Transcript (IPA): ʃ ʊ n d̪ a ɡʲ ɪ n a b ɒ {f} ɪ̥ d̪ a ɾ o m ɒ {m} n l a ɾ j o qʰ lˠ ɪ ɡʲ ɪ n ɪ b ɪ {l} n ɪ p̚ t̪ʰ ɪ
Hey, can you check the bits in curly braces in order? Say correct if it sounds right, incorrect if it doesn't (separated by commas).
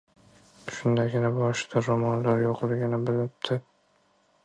incorrect, incorrect, correct